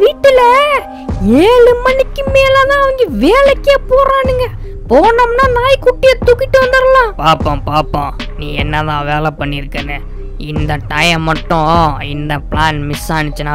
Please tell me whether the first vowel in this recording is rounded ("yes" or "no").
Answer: no